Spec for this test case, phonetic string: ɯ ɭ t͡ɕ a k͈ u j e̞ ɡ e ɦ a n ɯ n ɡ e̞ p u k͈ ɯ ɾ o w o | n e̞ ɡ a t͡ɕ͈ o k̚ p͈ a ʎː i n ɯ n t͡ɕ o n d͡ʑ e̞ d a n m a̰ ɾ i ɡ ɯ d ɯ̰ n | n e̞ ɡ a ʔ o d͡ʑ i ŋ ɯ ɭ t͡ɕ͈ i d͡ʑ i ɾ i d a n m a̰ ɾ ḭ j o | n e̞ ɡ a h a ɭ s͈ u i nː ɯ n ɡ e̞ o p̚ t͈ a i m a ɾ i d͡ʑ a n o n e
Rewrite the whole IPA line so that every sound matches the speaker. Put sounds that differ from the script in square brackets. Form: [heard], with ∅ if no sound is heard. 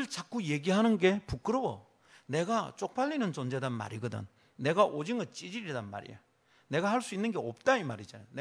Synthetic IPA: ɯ ɭ t͡ɕ a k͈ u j e̞ ɡ [i] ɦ a n ɯ n ɡ e̞ p u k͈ ɯ ɾ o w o | n e̞ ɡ a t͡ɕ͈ o k̚ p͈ a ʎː i n ɯ n t͡ɕ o n d͡ʑ e̞ d a n m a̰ ɾ i ɡ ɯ d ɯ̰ n | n e̞ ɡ a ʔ o d͡ʑ i ŋ ɯ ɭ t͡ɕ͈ i d͡ʑ i ɾ i d a n m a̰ ɾ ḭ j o | n e̞ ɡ a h a ɭ s͈ u i nː ɯ n ɡ e̞ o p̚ t͈ a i m a ɾ i d͡ʑ a n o n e